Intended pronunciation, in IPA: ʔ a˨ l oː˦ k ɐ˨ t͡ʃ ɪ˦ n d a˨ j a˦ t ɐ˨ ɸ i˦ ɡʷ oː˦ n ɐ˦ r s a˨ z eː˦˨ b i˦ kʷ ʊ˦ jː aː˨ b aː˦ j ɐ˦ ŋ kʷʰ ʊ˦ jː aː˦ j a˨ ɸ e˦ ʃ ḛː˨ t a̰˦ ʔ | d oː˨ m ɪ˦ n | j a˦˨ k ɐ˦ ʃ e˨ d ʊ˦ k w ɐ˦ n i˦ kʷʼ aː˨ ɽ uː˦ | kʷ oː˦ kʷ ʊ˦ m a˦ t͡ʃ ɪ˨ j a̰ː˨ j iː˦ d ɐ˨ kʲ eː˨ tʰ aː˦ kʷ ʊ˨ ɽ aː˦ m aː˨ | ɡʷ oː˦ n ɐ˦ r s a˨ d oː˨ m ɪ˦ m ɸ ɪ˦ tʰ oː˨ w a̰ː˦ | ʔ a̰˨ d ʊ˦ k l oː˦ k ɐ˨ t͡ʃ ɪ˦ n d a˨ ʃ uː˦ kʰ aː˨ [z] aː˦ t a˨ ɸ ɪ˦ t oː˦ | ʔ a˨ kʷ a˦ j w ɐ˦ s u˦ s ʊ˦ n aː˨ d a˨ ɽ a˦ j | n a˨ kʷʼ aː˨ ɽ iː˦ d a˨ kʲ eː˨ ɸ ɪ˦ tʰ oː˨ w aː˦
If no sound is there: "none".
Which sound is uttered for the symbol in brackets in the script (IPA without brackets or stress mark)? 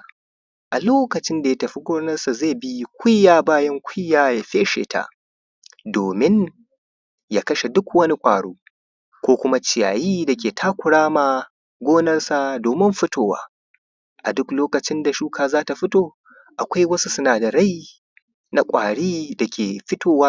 z